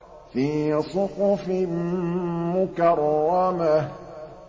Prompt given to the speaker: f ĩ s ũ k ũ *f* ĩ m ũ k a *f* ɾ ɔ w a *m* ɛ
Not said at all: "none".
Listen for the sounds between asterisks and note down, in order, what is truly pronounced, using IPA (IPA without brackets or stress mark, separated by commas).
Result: f, none, m